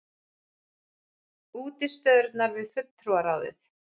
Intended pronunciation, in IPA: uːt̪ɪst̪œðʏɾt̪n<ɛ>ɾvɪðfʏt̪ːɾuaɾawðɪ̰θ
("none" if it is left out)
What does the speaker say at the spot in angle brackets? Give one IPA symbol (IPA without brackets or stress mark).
a